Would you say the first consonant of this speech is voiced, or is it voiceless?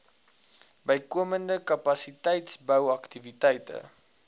voiced